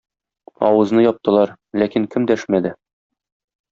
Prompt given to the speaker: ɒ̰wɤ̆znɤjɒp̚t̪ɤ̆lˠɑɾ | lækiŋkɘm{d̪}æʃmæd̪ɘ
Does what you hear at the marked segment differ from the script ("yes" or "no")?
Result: no